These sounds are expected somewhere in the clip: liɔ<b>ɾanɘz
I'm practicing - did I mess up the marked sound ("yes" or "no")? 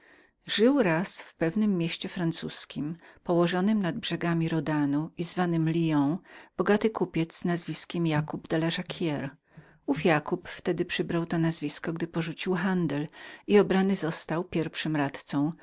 no